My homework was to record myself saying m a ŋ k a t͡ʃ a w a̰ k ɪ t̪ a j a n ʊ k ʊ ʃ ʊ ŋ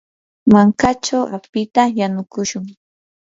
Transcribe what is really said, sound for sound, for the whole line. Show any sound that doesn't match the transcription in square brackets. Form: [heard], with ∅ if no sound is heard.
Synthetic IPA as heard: m a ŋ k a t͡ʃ a w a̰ [p] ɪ t̪ a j a n ʊ k ʊ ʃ ʊ ŋ